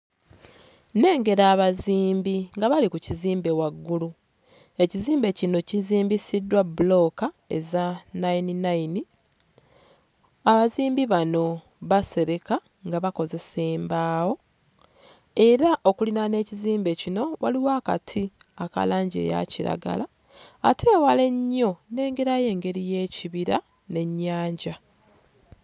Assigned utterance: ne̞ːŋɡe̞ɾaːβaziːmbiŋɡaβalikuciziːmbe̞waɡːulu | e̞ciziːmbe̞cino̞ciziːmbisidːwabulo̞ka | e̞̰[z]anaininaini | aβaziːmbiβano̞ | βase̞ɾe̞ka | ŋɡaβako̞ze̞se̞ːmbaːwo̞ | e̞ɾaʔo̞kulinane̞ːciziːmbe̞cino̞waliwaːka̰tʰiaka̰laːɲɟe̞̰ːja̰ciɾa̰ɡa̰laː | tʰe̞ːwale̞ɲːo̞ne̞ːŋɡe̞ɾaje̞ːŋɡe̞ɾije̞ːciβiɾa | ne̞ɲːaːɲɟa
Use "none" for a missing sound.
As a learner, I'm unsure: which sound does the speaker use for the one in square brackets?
z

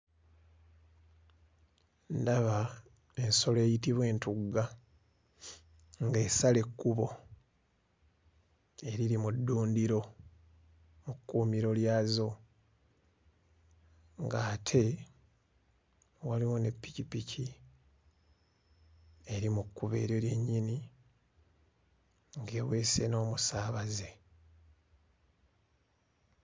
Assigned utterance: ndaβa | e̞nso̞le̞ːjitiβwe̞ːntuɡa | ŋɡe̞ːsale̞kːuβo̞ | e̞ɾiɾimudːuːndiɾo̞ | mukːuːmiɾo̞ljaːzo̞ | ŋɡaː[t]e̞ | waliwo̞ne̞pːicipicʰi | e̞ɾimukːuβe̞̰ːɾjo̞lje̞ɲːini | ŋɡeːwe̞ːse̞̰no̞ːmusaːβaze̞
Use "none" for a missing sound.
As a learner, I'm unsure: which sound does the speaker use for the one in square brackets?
tʰ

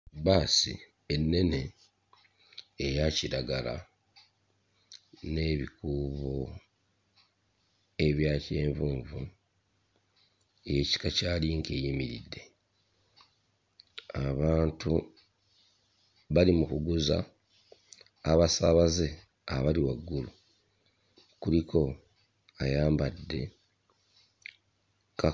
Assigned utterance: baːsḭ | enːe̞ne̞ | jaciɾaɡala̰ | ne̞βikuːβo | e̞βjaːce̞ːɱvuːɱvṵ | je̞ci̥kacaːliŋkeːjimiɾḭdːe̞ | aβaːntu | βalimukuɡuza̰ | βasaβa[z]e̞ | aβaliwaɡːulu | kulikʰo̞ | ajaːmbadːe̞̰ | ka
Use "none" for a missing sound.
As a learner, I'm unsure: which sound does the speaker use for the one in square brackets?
z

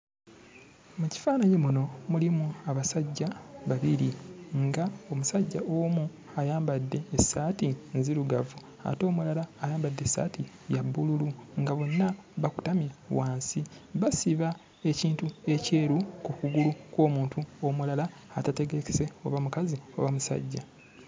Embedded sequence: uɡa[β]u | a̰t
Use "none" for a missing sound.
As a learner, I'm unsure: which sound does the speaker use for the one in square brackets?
v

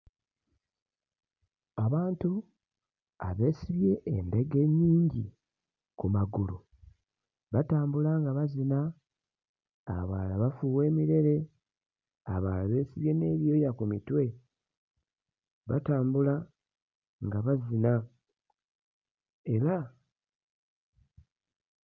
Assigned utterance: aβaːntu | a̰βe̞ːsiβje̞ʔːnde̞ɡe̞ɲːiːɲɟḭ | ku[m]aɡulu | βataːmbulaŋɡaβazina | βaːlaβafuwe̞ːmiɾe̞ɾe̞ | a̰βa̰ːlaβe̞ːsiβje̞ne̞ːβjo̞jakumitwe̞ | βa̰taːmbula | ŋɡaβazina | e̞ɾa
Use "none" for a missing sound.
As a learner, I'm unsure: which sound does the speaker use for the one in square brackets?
m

